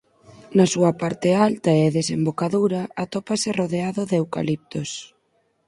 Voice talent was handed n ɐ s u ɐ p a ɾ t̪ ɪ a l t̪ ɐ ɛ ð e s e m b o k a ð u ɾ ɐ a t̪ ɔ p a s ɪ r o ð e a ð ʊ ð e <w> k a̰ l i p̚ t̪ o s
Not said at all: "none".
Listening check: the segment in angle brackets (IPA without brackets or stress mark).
w